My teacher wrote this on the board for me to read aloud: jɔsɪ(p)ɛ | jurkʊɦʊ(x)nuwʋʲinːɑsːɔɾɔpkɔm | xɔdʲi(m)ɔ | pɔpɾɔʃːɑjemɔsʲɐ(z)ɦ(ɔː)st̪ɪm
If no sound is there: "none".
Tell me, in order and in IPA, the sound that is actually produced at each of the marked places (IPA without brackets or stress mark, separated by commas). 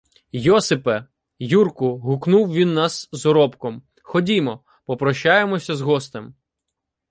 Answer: p, k, m, z, ɔ